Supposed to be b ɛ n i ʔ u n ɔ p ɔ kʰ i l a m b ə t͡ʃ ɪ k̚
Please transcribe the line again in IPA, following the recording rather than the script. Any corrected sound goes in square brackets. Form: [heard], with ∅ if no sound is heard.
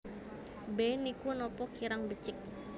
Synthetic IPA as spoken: b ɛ n i [k] u n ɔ p ɔ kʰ i [ɾ] a [ŋ] b ə t͡ʃ ɪ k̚